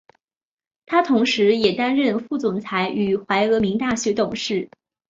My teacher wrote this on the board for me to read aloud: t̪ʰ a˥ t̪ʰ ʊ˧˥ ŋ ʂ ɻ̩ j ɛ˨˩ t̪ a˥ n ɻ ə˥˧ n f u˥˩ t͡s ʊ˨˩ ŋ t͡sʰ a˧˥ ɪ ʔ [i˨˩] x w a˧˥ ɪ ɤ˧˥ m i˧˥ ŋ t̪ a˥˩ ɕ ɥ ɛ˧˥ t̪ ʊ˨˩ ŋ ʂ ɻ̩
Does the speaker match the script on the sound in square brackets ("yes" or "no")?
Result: no